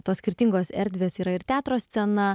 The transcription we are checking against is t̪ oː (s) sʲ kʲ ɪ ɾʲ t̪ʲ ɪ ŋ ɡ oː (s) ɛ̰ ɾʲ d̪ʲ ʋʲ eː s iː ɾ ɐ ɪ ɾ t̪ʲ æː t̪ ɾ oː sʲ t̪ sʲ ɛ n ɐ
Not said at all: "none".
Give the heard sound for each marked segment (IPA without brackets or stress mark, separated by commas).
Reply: s, s